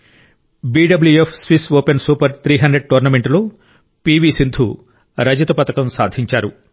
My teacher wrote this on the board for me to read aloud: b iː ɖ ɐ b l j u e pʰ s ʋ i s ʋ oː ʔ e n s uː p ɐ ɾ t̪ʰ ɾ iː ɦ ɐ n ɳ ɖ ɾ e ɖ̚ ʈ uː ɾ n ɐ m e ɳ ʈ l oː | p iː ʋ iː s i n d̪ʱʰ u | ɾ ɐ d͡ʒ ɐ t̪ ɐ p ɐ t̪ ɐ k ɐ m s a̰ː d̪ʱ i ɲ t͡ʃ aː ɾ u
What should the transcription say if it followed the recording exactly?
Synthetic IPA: b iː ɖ ɐ b l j u e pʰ s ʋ i s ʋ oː p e n s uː p ɐ ɾ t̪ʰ ɾ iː ɦ ɐ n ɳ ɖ ɾ e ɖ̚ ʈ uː ɾ n ɐ m e ɳ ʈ l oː | p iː ʋ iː s i n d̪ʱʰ u | ɾ ɐ d͡ʒ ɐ t̪ ɐ p ɐ t̪ ɐ k ɐ m s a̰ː d̪ʱ i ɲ t͡ʃ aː ɾ u